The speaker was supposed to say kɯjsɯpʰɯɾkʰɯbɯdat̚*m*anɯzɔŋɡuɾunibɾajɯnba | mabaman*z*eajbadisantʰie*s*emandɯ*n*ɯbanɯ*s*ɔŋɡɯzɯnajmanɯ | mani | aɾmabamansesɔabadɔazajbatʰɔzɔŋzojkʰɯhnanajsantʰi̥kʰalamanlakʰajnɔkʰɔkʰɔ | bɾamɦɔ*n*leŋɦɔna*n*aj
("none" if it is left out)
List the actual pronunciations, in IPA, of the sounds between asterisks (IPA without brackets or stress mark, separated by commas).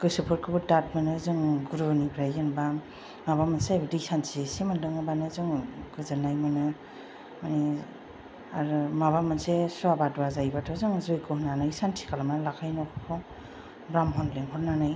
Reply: m, s, s, ŋ, z, n, n